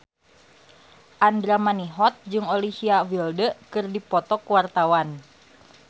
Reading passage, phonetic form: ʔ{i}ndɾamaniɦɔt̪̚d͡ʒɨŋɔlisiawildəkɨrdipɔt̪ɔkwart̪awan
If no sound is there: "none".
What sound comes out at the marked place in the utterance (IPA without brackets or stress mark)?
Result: a